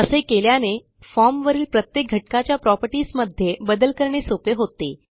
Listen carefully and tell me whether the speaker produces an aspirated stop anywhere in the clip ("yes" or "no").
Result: no